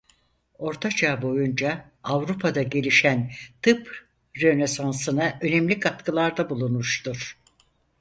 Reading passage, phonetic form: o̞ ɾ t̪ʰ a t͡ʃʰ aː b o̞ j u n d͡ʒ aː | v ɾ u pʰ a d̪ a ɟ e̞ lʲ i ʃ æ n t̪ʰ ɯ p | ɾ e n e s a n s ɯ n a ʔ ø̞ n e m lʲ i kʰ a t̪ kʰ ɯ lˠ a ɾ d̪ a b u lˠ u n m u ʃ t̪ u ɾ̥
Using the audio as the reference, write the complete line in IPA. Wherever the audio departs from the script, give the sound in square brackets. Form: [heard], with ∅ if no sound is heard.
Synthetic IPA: o̞ ɾ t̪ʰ a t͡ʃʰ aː b o̞ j u n d͡ʒ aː | v ɾ u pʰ a d̪ a ɟ e̞ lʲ i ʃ æ n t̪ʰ ɯ p | ɾ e n e s a n s ɯ n a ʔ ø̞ n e m lʲ i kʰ a t̪ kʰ ɯ lˠ a ɾ d̪ a b u lˠ u n m u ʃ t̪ u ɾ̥